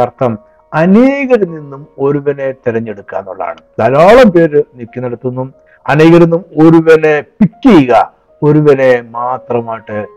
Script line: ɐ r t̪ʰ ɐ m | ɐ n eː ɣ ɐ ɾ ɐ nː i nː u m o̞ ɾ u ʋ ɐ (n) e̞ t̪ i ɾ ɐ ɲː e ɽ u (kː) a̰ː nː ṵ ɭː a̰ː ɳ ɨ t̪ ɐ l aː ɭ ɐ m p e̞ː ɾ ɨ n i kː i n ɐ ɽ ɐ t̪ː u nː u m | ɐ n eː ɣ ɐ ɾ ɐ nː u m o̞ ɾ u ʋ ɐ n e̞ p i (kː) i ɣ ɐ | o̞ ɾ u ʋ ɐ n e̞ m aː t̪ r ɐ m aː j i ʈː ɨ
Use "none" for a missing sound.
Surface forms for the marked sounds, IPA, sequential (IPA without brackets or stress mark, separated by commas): n, kː, kː